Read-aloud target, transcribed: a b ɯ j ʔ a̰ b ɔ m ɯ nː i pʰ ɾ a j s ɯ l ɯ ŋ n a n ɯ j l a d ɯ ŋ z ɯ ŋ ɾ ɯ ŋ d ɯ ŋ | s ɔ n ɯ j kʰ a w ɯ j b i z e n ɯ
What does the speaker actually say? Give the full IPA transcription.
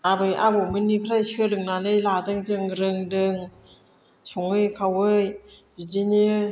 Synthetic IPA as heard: a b ɯ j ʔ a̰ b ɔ m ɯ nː i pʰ ɾ a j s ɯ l ɯ ŋ n a n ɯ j l a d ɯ ŋ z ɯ ŋ ɾ ɯ ŋ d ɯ ŋ | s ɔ ŋ ɯ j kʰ a w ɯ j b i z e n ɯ